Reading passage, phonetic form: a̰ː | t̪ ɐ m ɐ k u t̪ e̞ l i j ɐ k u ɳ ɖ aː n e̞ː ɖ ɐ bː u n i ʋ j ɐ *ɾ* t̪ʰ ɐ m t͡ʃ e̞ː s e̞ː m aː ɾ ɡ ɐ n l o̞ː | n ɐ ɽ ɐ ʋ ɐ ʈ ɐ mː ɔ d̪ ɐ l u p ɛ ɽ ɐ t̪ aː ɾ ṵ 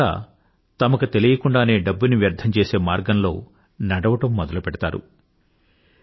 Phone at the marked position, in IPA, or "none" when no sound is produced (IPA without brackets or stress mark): ɾ